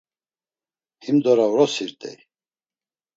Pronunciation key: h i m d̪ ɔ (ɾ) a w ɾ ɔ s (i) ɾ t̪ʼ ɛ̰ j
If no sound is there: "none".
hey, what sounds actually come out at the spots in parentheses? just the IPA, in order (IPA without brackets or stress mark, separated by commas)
ɾ, i